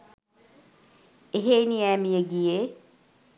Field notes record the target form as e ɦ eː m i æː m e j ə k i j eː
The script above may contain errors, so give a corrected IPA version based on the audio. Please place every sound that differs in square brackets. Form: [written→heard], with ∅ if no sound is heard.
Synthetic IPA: e ɦ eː [m→n] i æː m [e→i] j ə [k→ɡ] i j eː